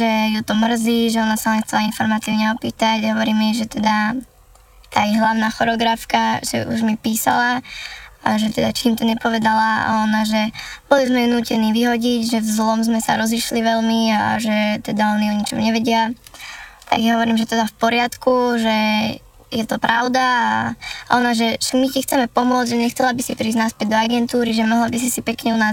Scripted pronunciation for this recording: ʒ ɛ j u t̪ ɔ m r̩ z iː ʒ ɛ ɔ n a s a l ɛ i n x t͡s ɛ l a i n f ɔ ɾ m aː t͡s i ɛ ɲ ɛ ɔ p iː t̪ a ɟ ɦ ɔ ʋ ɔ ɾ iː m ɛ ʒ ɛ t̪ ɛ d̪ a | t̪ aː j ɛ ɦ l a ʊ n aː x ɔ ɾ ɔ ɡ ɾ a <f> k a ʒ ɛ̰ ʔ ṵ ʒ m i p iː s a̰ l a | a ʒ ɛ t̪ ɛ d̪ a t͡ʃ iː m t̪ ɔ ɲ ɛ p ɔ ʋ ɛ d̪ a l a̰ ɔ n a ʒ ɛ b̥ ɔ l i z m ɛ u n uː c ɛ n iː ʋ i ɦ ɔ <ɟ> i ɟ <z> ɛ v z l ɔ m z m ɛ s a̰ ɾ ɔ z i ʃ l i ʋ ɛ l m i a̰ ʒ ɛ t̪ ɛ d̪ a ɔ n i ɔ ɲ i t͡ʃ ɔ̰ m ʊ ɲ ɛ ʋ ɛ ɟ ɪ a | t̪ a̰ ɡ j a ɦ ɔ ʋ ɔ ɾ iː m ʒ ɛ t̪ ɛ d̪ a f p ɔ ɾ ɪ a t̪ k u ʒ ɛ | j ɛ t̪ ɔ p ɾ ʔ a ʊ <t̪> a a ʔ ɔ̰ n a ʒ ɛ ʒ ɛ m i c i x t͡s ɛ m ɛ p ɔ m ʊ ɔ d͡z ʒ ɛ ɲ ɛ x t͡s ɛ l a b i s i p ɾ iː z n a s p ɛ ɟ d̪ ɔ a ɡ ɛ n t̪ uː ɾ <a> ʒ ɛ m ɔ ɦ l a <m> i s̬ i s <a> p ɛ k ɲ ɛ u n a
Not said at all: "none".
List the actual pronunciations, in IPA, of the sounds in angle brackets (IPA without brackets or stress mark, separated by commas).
f, ɟ, ʒ, d̪, i, b, i